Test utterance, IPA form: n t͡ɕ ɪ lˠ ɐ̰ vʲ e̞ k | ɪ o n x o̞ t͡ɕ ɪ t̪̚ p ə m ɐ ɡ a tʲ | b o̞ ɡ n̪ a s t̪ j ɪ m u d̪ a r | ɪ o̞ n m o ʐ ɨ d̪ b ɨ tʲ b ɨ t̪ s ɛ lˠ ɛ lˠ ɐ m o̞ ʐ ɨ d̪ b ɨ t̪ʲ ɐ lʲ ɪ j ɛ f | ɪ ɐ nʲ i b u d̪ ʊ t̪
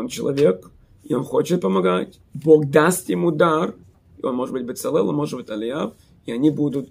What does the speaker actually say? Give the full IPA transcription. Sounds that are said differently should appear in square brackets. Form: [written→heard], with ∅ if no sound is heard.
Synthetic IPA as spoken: n t͡ɕ ɪ lˠ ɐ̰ vʲ e̞ k | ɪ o n x o̞ t͡ɕ ɪ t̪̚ p ə m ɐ ɡ a tʲ | b o̞ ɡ [n̪→d̪] a s t̪ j ɪ m u d̪ a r | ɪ o̞ n m o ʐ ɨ d̪ b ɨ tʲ b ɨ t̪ s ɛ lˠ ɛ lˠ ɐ m o̞ ʐ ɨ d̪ b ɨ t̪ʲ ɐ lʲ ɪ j [ɛ→a] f | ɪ ɐ nʲ i b u d̪ ʊ t̪